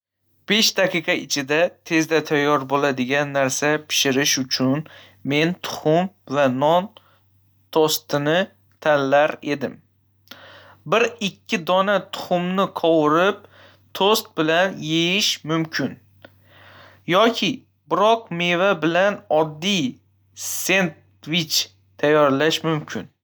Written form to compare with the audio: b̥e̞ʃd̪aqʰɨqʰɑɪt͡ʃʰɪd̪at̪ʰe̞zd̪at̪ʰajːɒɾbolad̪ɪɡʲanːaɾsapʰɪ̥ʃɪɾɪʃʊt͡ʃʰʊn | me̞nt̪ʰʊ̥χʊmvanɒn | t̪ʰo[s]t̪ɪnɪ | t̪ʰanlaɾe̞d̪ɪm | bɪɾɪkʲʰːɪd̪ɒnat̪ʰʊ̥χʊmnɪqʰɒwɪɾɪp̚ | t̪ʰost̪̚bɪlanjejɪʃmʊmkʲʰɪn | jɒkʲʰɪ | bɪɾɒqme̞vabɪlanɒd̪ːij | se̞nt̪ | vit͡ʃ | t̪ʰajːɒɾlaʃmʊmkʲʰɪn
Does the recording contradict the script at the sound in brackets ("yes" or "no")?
no